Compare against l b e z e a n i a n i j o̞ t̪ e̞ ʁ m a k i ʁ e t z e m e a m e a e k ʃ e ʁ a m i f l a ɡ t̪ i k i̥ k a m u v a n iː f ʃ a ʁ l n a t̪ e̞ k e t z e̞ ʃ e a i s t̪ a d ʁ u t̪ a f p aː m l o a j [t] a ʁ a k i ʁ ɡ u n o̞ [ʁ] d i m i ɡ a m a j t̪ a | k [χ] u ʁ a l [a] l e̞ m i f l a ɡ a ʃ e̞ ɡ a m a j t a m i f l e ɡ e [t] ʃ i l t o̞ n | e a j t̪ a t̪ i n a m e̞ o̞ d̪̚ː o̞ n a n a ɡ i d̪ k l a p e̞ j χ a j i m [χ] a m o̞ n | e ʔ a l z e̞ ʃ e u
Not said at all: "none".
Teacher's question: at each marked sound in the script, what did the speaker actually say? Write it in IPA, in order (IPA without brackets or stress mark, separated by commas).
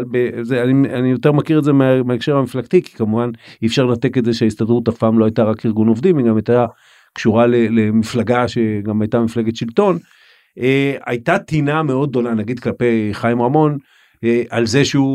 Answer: t, v, ʃ, e, t, ʁ